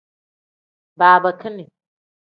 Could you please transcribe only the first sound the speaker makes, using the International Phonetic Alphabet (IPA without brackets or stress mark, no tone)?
b